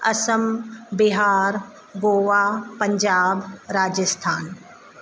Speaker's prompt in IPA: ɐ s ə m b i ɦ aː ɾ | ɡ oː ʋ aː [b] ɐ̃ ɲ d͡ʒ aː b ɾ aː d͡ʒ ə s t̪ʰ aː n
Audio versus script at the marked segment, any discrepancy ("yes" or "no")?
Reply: yes